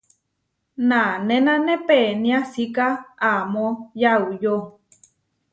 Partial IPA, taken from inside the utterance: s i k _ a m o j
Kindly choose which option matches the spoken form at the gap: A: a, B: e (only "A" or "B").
A